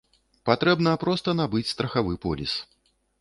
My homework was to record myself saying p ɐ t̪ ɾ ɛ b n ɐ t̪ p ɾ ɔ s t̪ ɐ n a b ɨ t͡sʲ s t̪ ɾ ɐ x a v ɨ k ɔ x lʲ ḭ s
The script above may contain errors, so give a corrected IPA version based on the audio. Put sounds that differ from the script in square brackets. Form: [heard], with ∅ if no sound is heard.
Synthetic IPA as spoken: p [a] t̪ ɾ ɛ b n ɐ [∅] p ɾ ɔ s t̪ ɐ n a b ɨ t͡sʲ s t̪ ɾ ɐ x a v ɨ [p] ɔ [∅] lʲ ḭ s